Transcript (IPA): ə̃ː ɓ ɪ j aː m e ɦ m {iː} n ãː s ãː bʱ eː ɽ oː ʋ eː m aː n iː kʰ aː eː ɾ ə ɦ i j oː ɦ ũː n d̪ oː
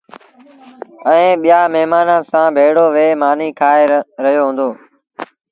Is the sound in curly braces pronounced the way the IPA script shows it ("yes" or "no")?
no